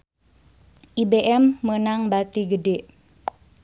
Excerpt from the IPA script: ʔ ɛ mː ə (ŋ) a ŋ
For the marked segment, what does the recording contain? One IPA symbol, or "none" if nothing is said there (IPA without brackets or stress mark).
n